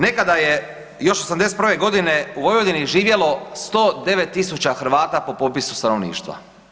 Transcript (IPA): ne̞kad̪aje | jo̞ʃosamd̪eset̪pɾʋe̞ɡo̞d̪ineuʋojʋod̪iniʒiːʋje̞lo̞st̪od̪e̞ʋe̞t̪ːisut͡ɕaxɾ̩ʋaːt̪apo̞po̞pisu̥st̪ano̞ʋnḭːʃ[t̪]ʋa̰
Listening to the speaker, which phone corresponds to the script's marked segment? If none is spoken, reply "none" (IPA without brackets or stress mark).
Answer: t̪